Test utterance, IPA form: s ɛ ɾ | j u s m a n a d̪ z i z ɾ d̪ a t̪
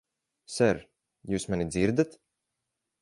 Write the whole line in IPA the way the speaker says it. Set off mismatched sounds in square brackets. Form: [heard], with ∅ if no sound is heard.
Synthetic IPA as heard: s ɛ ɾ | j [uː] s m a n [i] d̪ z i [∅] ɾ d̪ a t̪